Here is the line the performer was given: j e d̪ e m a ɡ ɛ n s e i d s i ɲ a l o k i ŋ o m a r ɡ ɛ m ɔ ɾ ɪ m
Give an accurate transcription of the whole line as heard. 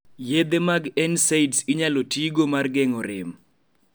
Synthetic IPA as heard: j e d̪ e m a ɡ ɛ n s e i d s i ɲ a l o t i ɡ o m a r ɡ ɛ ŋ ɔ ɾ ɪ m